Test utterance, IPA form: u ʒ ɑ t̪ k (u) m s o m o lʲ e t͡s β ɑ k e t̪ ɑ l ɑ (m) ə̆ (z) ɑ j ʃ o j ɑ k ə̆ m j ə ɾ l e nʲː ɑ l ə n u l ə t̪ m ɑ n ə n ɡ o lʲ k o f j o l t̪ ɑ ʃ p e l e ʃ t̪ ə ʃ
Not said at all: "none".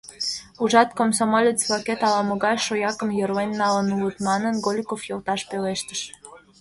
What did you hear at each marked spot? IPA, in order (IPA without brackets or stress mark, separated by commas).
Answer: o, m, ɣ